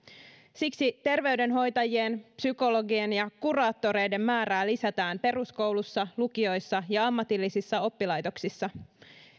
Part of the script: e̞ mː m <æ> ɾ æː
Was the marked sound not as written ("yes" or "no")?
yes